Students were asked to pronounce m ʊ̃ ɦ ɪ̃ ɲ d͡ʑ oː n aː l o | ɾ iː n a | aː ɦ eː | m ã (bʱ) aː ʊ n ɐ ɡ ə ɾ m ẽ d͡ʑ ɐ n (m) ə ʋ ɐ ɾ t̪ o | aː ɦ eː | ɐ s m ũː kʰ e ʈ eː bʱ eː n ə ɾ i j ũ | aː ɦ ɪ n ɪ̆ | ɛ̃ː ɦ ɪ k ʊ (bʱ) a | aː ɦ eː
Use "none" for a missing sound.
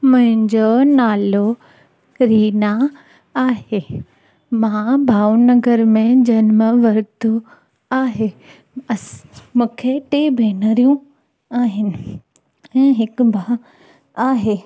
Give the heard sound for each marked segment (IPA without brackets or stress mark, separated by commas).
bʱ, m, bʱ